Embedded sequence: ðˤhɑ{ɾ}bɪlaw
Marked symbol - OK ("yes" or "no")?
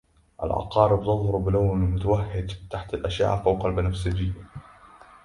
yes